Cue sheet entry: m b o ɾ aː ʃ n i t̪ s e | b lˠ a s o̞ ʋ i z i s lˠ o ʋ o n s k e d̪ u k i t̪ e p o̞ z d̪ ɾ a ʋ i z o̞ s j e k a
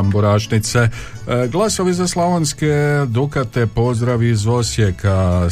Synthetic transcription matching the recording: m b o ɾ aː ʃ n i t̪ s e | ɡ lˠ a s o̞ ʋ i z a s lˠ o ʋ o n s k e d̪ u k a t̪ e p o̞ z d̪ ɾ a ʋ i z o̞ s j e k a